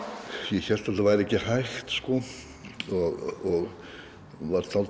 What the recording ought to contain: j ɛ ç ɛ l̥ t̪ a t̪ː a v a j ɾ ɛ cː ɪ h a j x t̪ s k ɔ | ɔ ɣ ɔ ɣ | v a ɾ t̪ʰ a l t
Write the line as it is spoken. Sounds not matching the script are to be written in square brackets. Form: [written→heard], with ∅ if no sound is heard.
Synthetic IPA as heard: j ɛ ç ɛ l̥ t̪ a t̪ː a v a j ɾ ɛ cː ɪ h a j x t̪ s k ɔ | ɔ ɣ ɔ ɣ | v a ɾ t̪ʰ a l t